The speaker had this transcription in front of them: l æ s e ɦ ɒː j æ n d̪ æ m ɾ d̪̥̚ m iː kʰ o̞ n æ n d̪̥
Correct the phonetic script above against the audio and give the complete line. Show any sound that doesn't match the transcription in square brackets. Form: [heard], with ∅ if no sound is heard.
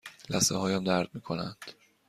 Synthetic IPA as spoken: l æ s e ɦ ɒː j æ [m] d̪ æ [∅] ɾ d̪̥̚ m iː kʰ o̞ n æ n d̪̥